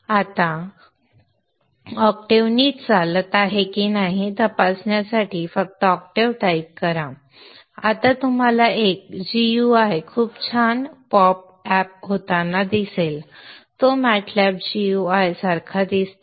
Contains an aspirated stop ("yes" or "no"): yes